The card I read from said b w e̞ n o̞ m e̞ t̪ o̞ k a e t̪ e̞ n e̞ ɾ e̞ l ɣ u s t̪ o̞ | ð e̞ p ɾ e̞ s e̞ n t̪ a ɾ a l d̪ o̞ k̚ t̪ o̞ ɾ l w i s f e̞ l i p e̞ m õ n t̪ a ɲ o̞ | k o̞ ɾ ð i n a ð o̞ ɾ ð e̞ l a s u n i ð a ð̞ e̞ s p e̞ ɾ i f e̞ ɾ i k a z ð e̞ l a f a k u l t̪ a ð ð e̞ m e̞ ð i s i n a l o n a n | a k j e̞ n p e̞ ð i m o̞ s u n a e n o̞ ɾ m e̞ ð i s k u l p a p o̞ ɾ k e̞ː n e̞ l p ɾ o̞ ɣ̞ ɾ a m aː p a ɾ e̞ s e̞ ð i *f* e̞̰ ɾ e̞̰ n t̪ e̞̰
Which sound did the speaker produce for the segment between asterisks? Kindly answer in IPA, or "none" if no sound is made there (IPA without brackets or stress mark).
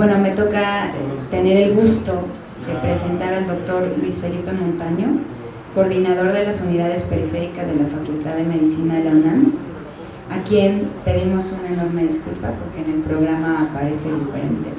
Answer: f